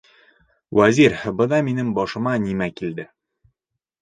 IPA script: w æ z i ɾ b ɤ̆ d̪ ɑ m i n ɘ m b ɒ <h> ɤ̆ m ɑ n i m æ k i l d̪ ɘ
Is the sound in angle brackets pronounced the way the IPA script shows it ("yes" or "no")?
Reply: no